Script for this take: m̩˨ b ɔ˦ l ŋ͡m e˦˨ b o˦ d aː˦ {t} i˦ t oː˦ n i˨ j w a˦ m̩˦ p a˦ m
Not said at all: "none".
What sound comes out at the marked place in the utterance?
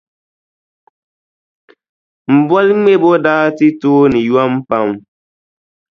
t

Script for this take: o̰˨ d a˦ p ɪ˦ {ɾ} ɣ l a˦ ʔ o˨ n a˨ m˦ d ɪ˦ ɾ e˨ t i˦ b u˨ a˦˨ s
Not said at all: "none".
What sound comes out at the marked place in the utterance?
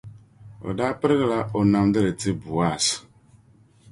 ɾ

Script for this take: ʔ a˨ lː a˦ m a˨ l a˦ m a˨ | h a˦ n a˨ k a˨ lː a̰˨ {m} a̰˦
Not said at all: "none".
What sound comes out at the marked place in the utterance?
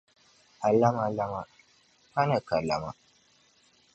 m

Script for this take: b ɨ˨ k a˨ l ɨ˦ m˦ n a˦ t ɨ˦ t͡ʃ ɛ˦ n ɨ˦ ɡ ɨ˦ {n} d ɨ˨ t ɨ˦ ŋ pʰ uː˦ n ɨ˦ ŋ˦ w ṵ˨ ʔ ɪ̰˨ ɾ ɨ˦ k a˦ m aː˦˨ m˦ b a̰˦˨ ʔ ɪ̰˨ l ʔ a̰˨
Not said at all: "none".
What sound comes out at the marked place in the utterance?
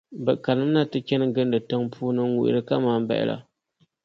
n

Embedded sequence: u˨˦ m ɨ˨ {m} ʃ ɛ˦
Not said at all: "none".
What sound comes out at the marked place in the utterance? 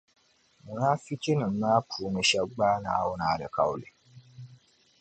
none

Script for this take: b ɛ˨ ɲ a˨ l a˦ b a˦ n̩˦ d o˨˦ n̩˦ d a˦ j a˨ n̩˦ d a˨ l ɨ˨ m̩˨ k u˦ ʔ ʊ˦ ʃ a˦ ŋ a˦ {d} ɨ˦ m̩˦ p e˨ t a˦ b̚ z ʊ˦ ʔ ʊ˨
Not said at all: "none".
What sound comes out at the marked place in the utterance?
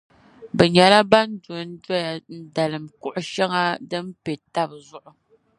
d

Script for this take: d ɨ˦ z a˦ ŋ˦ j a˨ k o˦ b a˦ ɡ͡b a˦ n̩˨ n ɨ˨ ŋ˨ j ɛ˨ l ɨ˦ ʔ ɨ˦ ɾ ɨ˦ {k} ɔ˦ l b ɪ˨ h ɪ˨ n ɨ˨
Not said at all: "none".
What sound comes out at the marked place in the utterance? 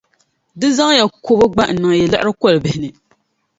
k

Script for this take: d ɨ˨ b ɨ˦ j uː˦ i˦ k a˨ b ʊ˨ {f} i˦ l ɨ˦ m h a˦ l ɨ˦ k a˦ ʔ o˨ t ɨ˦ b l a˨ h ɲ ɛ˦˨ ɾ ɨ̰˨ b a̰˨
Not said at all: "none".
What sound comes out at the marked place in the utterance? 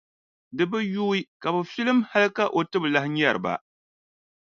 f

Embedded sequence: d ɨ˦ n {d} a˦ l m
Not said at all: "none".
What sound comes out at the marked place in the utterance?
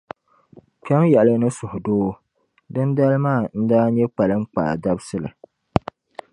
d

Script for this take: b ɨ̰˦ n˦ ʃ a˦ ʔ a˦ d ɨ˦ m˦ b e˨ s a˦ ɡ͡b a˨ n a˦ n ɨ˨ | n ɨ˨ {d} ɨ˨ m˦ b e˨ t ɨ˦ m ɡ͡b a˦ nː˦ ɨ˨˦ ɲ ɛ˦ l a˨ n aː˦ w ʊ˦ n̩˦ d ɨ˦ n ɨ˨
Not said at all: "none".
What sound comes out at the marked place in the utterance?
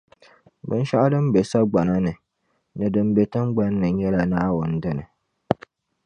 d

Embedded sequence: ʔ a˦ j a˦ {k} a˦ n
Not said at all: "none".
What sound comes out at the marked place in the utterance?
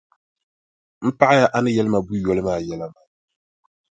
ʔ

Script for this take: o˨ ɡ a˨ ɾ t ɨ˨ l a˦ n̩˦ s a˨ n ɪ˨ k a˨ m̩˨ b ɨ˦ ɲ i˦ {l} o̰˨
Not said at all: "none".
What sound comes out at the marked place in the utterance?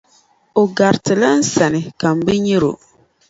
ɾ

